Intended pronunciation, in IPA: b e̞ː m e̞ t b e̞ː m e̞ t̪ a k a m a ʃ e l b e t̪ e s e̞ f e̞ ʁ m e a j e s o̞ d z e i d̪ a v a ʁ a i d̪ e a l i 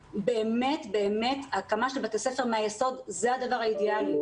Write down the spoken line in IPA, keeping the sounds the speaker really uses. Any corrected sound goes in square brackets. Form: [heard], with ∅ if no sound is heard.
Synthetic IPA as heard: b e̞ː m e̞ t b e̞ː m e̞ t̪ a k a m a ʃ e l b [a] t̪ e s e̞ f e̞ ʁ m e a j e s o̞ d z e [a] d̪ a v a ʁ a i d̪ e a l i